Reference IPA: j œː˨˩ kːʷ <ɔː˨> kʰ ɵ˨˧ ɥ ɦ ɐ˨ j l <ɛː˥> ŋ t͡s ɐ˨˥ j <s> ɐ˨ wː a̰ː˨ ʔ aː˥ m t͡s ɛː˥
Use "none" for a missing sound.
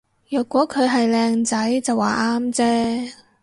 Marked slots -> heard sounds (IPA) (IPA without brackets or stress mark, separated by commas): ɔː˨˥, ɛː˧, t͡s